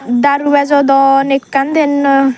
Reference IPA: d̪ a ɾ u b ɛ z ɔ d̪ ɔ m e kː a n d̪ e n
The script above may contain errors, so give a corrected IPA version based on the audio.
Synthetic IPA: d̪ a ɾ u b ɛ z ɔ d̪ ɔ n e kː a n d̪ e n

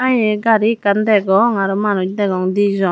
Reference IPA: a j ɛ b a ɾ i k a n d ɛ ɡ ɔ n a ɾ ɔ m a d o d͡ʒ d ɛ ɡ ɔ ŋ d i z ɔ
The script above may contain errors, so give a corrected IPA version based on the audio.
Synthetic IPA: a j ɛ ɡ a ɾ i k a n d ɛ ɡ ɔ ŋ a ɾ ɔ m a n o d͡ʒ d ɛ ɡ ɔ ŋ d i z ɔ

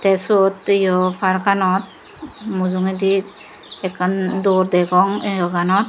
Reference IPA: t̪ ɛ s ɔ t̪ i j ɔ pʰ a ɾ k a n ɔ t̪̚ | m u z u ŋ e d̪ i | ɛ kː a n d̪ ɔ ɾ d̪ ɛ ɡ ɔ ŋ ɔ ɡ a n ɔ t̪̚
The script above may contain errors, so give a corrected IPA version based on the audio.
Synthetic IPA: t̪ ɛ s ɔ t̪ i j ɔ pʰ a ɾ k a n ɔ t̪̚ | m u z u ŋ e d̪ i | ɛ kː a n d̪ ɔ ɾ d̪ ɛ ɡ ɔ ŋ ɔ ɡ a n ɔ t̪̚

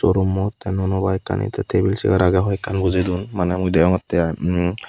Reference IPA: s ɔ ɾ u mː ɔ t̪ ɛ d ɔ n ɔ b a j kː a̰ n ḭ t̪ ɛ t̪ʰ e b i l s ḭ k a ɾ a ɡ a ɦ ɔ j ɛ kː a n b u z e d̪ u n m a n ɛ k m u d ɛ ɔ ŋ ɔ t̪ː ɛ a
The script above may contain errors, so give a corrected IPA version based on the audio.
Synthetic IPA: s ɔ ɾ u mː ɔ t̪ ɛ n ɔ n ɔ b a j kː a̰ n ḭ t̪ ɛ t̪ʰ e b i l s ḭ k a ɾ a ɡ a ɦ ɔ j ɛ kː a n b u z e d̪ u n m a n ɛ m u d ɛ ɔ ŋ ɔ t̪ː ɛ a

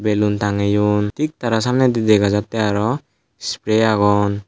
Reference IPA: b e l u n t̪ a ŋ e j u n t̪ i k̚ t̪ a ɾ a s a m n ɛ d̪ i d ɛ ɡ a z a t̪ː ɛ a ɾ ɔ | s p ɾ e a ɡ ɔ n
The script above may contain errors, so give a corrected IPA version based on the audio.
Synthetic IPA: b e l u n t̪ a ŋ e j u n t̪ i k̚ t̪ a ɾ a s a m n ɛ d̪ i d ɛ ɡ a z a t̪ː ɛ a ɾ ɔ | s p ɾ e a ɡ ɔ n

